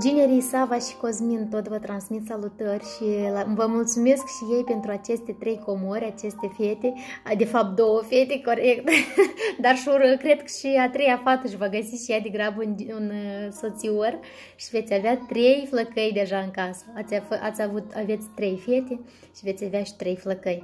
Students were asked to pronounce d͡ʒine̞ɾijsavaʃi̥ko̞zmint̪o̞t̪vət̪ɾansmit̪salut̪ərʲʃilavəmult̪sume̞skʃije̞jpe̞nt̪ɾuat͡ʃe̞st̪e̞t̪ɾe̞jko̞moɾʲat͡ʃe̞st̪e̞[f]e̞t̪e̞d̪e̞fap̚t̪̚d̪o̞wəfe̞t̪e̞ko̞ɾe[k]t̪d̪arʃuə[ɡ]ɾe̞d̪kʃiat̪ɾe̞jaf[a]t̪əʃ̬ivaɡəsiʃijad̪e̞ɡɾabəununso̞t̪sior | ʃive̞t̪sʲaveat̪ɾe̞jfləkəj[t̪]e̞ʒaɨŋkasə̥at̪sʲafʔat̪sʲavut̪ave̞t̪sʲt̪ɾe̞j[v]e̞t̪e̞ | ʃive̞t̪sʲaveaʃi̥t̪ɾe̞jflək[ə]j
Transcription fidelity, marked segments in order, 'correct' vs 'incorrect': correct, correct, incorrect: k, correct, incorrect: d̪, incorrect: f, correct

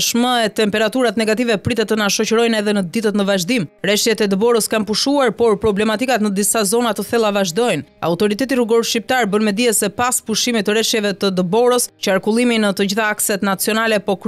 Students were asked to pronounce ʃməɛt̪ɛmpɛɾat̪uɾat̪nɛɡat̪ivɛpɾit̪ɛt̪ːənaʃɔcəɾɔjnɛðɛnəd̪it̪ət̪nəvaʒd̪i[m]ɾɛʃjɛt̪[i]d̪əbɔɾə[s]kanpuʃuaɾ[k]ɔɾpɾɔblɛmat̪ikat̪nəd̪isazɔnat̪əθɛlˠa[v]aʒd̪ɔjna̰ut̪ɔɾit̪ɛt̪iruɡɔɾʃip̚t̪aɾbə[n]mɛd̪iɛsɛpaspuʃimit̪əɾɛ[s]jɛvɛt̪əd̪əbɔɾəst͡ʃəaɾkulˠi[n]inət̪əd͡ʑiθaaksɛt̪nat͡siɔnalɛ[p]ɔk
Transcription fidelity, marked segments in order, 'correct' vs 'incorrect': correct, incorrect: ɛ, correct, incorrect: p, correct, correct, incorrect: ʃ, incorrect: m, correct

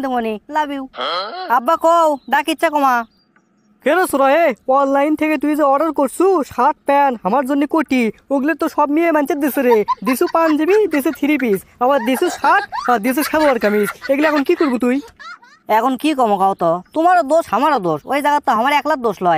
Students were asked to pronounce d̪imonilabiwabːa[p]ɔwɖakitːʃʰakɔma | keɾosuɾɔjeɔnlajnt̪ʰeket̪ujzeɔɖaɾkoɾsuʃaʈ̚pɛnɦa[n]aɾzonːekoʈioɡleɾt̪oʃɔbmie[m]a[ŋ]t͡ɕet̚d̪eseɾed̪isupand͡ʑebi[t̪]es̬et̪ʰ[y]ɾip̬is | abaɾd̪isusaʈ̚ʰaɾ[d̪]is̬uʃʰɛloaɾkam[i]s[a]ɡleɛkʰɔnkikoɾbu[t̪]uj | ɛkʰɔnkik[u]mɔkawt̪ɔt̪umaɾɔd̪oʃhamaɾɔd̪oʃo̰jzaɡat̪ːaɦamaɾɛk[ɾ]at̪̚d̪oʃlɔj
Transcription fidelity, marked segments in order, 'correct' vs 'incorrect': incorrect: k, incorrect: m, correct, incorrect: n, incorrect: d̪, incorrect: i, correct, correct, incorrect: e, correct, incorrect: ɔ, incorrect: l

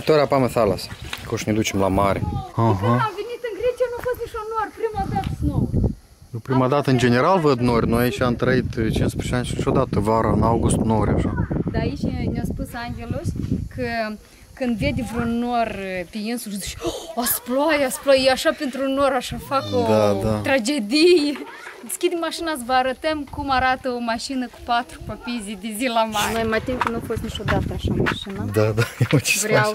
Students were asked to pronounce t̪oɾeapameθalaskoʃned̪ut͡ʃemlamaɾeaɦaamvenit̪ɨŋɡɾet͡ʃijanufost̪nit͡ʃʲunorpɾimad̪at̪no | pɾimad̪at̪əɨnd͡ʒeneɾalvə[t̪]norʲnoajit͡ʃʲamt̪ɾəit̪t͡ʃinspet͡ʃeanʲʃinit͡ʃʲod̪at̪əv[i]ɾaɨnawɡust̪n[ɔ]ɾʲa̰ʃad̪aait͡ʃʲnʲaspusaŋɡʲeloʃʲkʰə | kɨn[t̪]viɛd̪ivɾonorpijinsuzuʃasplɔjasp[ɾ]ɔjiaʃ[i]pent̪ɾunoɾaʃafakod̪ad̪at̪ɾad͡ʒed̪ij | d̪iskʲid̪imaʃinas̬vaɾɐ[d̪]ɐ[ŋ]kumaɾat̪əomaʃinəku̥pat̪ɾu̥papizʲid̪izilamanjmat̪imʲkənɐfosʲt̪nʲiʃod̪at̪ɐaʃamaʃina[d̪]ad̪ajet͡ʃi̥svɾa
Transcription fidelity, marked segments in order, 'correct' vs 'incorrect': incorrect: d̪, incorrect: a, incorrect: o, incorrect: d̪, incorrect: l, incorrect: a, incorrect: t̪, incorrect: m, correct

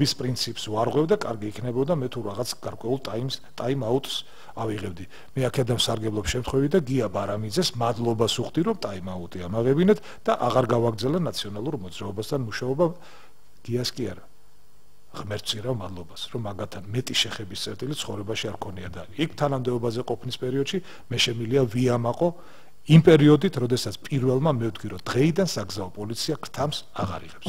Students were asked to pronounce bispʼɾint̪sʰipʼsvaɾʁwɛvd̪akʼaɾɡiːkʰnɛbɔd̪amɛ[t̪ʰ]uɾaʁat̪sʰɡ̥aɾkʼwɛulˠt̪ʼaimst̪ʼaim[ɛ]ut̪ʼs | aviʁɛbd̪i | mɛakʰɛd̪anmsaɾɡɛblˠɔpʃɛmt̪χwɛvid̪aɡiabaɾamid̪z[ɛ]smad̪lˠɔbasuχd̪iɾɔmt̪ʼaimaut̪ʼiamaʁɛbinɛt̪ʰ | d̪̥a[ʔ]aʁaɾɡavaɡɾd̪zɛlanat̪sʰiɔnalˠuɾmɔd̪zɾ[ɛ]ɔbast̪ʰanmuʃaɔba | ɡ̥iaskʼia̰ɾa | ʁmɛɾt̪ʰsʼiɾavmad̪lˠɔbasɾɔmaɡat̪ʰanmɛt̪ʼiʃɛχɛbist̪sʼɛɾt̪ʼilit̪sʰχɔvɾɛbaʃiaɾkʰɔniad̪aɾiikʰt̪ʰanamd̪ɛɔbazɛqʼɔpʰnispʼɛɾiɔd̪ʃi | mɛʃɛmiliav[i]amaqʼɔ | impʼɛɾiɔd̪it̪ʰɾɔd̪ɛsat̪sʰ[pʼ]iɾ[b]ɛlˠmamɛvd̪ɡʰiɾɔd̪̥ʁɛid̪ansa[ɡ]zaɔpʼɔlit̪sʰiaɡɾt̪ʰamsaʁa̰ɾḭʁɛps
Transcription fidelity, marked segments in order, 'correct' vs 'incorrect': correct, incorrect: a, correct, correct, incorrect: a, correct, correct, incorrect: v, correct

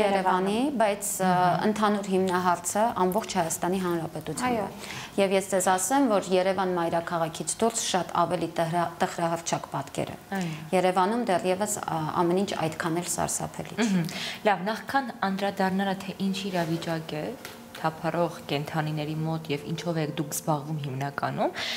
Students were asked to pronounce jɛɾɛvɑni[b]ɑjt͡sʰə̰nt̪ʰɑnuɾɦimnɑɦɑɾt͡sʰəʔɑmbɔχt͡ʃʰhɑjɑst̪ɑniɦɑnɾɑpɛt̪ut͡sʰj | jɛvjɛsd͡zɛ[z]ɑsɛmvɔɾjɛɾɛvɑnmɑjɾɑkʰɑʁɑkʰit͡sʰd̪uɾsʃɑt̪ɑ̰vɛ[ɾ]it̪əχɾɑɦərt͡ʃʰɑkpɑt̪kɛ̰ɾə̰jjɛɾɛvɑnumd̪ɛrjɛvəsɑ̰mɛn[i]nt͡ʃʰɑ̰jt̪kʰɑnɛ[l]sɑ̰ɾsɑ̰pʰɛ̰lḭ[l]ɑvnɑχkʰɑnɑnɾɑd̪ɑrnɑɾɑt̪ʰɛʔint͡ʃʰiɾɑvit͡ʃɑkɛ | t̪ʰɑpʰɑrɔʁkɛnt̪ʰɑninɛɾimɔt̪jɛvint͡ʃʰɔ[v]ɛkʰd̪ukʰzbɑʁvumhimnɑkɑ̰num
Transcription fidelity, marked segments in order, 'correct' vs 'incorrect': correct, correct, incorrect: l, correct, correct, correct, correct

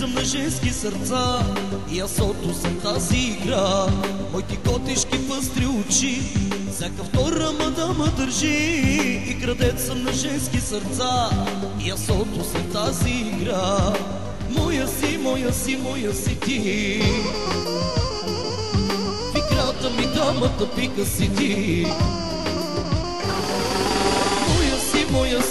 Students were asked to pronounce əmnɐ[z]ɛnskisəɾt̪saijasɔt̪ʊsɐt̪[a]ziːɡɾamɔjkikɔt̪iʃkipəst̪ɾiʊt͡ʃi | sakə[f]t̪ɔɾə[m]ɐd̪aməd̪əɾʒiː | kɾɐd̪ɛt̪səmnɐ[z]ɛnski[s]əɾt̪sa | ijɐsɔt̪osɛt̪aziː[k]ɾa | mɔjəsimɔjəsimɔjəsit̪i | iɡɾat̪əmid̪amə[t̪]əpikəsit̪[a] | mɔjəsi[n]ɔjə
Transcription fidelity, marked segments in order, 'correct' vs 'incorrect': incorrect: ʒ, correct, correct, correct, incorrect: ʒ, correct, incorrect: ɡ, correct, incorrect: i, incorrect: m

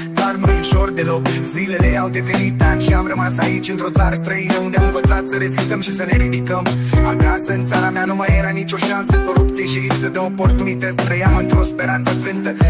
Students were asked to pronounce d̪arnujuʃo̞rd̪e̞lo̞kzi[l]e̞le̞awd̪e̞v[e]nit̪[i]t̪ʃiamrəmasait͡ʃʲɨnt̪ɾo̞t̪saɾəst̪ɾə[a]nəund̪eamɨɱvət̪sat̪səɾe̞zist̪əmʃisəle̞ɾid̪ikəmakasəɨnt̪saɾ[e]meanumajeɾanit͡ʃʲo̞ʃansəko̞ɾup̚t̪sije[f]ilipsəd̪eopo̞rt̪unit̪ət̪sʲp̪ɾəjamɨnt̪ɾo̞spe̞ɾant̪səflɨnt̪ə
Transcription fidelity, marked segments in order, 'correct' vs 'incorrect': correct, correct, incorrect: a, incorrect: i, incorrect: a, incorrect: ʃ

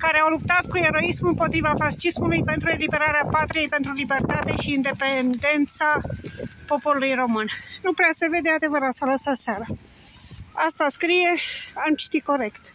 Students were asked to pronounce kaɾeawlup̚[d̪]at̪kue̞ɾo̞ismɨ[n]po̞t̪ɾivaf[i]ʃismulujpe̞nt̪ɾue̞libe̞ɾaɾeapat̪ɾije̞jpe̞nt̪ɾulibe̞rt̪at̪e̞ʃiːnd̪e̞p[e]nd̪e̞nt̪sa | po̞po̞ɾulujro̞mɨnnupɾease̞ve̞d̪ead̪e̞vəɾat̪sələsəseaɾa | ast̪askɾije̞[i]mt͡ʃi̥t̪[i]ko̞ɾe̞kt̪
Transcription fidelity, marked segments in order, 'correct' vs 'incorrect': incorrect: t̪, incorrect: m, incorrect: a, correct, incorrect: a, correct

